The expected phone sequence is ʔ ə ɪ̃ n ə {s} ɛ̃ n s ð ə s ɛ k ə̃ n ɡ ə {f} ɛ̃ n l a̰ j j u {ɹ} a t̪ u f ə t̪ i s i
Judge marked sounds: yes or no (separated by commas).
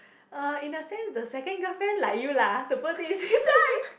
yes, yes, no